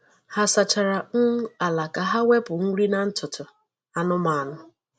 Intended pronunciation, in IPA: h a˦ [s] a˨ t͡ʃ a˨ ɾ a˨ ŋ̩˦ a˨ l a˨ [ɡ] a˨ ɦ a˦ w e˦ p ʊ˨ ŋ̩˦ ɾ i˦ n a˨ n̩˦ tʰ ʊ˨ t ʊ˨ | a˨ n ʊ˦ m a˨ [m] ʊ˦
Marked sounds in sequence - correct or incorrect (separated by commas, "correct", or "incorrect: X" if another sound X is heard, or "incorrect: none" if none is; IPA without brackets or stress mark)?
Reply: correct, incorrect: k, incorrect: n